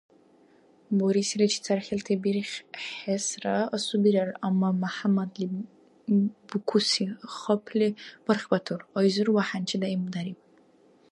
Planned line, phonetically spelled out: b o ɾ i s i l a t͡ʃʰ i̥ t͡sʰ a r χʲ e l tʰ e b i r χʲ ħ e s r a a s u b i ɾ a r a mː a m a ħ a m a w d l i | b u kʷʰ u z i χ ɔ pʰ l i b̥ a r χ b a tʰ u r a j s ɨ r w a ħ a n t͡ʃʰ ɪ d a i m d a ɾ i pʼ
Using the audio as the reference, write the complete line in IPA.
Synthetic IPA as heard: b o ɾ i s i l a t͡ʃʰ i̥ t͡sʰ a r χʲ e l tʰ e b i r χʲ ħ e s r a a s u b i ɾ a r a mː a m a ħ a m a d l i | b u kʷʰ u s i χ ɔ pʰ l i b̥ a r χ b a tʰ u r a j z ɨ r w a ħ a n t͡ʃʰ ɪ d a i m d a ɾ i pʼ